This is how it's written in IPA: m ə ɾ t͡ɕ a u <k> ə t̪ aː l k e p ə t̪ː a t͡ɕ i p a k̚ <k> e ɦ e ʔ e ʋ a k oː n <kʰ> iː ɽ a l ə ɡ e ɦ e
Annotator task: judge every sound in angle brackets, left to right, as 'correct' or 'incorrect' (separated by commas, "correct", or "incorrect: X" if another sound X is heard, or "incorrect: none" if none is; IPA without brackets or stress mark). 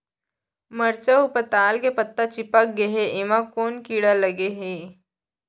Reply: incorrect: p, incorrect: ɡ, incorrect: k